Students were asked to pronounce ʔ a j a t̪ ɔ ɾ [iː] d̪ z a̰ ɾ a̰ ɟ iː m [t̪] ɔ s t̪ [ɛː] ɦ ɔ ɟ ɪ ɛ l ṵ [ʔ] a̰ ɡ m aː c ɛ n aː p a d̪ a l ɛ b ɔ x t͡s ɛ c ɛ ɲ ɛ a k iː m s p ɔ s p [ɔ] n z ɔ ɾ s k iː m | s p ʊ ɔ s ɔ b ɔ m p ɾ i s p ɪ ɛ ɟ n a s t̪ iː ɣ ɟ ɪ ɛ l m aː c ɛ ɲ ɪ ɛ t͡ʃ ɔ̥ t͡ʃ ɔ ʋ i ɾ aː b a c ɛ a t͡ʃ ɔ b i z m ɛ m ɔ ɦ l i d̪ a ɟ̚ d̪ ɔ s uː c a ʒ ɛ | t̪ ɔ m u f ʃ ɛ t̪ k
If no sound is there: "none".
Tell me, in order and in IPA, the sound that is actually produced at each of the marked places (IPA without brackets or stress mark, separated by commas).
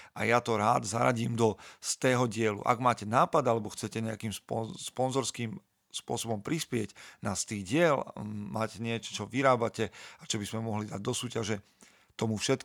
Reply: aː, d̪, ɛː, ʔ, ɔ